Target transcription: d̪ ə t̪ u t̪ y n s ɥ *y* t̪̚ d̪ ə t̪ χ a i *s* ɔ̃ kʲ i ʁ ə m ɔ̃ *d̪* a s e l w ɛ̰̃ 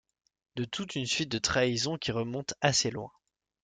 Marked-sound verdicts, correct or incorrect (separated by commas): incorrect, incorrect, incorrect